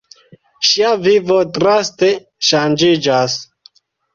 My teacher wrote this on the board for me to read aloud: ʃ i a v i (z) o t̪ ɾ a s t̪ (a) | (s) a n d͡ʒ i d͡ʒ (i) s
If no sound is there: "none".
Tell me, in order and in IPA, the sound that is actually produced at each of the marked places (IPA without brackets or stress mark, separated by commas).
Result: v, e, ʃ, a